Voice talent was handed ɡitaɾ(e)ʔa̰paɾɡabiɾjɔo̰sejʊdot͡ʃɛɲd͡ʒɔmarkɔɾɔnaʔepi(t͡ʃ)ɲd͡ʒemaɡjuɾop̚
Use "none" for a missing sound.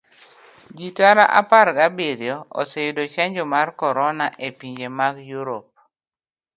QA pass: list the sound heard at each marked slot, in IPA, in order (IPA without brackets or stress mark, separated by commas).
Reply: a, none